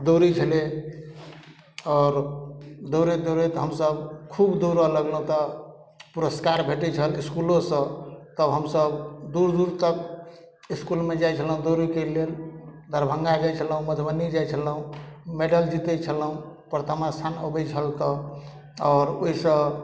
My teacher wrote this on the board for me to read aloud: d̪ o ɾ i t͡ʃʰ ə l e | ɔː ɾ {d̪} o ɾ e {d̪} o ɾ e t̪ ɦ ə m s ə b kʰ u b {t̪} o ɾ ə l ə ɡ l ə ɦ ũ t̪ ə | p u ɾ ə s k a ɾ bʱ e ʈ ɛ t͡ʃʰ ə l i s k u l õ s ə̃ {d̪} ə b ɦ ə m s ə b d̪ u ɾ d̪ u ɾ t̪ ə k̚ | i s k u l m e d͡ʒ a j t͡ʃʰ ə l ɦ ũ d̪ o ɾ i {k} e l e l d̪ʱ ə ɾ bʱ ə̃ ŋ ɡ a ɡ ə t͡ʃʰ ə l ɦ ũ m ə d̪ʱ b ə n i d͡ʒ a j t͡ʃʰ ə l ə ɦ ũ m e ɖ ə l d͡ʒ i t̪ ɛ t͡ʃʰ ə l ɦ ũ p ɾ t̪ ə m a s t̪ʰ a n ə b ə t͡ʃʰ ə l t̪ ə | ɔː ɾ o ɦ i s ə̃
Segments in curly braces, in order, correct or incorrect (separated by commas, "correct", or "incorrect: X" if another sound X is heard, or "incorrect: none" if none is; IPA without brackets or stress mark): correct, correct, incorrect: d̪, incorrect: t̪, correct